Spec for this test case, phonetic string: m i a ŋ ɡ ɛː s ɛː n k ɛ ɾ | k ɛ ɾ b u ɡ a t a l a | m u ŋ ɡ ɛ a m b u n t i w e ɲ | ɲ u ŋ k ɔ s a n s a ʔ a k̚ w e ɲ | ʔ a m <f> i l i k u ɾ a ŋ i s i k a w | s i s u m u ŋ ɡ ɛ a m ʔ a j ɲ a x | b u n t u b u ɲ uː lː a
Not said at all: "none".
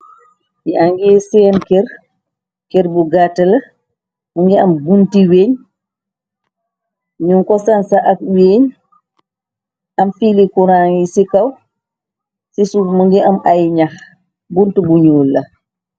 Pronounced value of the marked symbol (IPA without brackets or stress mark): f